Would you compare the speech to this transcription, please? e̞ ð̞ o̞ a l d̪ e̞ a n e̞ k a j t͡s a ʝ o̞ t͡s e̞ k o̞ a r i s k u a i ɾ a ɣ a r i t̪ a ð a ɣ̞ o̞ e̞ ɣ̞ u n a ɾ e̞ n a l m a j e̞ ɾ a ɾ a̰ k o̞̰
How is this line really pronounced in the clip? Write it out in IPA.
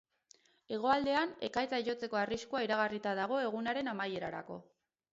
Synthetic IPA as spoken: e̞ ɣ̞ o̞ a l d̪ e̞ a n e̞ k a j t͡s a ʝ o̞ t͡s e̞ k o̞ a r i s k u a i ɾ a ɣ a r i t̪ a ð a ɣ̞ o̞ e̞ ɣ̞ u n a ɾ e̞ n a m a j e̞ ɾ a ɾ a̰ k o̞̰

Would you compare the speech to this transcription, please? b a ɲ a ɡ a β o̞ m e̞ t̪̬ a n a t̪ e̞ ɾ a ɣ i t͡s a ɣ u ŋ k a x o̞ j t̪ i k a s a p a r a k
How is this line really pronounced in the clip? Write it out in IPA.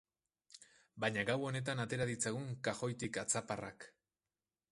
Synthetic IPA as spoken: b a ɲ a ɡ a w o̞ n e̞ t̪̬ a n a t̪ e̞ ɾ a ð i t͡s a ɣ u ŋ k a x o̞ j t̪ i k a t͡s a p a r a k

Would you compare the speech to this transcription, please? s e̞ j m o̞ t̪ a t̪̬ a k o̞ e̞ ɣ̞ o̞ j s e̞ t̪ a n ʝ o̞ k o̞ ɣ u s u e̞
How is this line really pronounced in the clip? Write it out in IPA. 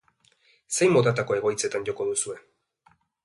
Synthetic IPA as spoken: s e̞ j m o̞ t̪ a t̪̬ a k o̞ e̞ ɣ̞ o̞ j t͡s e̞ t̪ a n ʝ o̞ k o̞ ð u s u e̞

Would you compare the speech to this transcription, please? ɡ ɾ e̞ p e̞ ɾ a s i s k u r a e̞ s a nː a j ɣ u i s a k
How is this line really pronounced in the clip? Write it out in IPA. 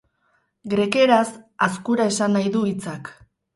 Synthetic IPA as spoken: ɡ ɾ e̞ k e̞ ɾ a s a s k u ɾ a e̞ s a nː a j ð u i t͡s a k

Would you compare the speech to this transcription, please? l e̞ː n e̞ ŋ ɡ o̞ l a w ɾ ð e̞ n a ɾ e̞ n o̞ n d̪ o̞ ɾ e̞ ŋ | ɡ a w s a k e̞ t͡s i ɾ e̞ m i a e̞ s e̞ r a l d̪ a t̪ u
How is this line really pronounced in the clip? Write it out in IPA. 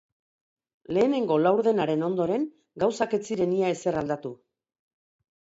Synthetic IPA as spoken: l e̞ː n e̞ ŋ ɡ o̞ l a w ɾ ð e̞ n a ɾ e̞ n o̞ n d̪ o̞ ɾ e̞ ŋ | ɡ a w s a k e̞ t͡s i ɾ e̞ n i a e̞ s e̞ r a l d̪ a t̪ u

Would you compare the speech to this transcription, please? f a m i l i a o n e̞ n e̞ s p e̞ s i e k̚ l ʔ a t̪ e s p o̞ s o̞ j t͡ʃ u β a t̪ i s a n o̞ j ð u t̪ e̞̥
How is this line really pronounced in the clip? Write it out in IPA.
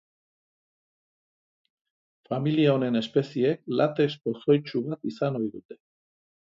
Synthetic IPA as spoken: f a m i l i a o n e̞ n e̞ s p e̞ s i e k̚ l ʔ a t̪ e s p o̞ s o̞ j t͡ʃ u β a t̪ i s a n o̞ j ð u t̪ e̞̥

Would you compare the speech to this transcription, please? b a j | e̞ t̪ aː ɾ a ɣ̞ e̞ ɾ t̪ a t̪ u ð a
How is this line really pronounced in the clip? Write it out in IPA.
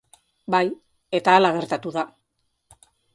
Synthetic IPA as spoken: b a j | e̞ t̪ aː l a ɣ̞ e̞ ɾ t̪ a t̪ u ð a

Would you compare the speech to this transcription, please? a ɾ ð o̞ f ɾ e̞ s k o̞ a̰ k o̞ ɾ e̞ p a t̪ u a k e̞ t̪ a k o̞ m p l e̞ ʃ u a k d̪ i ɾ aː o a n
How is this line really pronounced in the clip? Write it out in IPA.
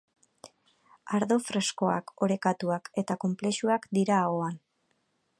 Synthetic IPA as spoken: a ɾ ð o̞ f ɾ e̞ s k o̞ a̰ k o̞ ɾ e̞ k a t̪ u a k e̞ t̪ a k o̞ m p l e̞ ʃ u a k d̪ i ɾ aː o a n

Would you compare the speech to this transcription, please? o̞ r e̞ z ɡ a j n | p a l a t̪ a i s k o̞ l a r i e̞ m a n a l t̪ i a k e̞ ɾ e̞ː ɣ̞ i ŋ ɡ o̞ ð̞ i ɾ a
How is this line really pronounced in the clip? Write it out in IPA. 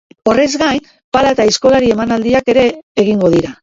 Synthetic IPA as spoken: o̞ r e̞ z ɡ a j n | p a l a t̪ a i s k o̞ l a ɾ i e̞ m a n a l d̪ i a k e̞ ɾ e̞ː ɣ̞ i ŋ ɡ o̞ ð̞ i ɾ a

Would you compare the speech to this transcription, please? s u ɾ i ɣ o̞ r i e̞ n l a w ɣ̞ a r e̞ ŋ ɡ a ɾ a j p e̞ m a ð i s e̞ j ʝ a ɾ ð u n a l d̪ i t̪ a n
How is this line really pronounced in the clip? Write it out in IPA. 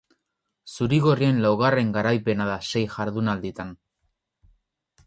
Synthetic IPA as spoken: s u ɾ i ɣ o̞ r i e̞ n l a w ɣ̞ a r e̞ ŋ ɡ a ɾ a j p e̞ n a ð a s e̞ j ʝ a ɾ ð u n a l d̪ i t̪ a n

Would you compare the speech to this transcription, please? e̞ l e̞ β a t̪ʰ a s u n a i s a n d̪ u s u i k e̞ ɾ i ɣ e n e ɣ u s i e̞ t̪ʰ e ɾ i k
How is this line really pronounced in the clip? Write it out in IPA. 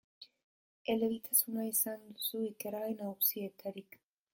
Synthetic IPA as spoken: e̞ l e̞ β i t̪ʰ a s u n a i s a n d̪ u s u i k e̞ ɾ a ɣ e n a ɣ u s i e̞ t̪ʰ a ɾ i k

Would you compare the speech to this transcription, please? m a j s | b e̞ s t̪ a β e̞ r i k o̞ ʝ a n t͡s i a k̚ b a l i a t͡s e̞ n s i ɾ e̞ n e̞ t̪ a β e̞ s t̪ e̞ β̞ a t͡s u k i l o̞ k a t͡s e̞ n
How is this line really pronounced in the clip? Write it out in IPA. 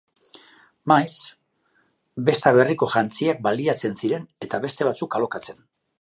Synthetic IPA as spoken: m a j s | b e̞ s t̪ a β e̞ r i k o̞ ʝ a n t͡s i a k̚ b a l i a t͡s e̞ n s i ɾ e̞ n e̞ t̪ a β e̞ s t̪ e̞ β̞ a t͡s u k a l o̞ k a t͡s e̞ n

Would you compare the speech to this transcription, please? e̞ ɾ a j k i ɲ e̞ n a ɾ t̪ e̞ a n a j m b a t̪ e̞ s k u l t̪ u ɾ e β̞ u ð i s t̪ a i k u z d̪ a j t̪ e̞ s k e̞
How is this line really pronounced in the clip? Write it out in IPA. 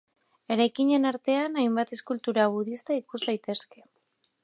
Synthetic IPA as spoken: e̞ ɾ a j k i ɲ e̞ n a ɾ t̪ e̞ a n a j m b a t̪ e̞ s k u l t̪ u ɾ a β̞ u ð i s t̪ a i k u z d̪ a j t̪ e̞ s k e̞

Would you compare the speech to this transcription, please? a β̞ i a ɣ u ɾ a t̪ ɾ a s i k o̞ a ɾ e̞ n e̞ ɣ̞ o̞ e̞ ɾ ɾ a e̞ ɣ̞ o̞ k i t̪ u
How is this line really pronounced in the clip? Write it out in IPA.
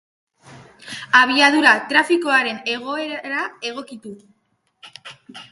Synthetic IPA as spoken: a β̞ i a ð u ɾ a t̪ ɾ a f i k o̞ a ɾ e̞ n e̞ ɣ̞ o̞ e̞ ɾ ɾ a e̞ ɣ̞ o̞ k i t̪ u

